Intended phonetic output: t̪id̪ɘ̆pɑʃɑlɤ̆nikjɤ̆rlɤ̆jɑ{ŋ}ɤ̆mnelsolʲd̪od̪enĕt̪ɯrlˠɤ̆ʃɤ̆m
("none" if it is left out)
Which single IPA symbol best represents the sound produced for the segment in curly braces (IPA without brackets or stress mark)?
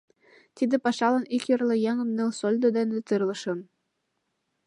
ŋ